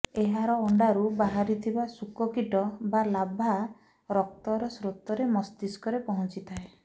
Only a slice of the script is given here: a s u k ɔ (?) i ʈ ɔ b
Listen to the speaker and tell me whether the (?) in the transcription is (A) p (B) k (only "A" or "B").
B